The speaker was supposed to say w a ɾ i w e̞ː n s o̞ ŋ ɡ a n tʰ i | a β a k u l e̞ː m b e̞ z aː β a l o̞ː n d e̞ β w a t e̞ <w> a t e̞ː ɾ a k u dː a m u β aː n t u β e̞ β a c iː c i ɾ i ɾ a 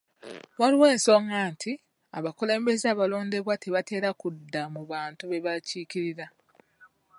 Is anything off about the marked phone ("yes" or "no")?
yes